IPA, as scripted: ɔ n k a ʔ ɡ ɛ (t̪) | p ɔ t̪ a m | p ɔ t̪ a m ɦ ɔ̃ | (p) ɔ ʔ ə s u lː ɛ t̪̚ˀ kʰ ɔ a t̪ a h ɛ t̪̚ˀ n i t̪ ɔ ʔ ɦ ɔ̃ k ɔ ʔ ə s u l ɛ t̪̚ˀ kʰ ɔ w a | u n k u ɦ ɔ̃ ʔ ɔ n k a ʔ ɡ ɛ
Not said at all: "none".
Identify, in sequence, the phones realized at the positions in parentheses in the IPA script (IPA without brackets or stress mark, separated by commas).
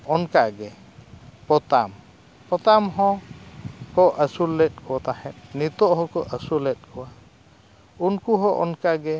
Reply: none, k